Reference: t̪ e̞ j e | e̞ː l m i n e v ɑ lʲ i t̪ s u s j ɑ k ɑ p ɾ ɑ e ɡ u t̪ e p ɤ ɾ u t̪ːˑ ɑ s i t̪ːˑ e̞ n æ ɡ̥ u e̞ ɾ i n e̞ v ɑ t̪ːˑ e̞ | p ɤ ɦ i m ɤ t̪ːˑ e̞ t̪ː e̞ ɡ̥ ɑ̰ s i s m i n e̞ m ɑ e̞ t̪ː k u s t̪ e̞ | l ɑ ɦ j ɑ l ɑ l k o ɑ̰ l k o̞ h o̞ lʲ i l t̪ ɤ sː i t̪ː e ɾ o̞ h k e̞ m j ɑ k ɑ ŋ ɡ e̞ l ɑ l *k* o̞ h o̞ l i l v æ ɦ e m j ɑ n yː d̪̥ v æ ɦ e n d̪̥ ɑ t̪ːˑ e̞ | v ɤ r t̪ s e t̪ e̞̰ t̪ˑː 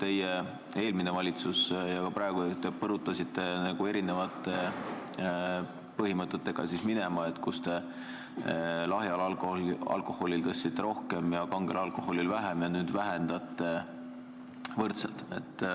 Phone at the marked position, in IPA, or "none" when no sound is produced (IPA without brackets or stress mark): k